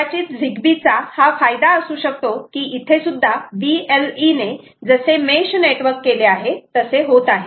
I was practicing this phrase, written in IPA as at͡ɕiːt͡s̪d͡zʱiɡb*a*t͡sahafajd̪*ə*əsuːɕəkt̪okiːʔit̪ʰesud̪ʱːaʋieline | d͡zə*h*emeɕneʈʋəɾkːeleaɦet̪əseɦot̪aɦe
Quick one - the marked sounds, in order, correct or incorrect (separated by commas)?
incorrect, incorrect, incorrect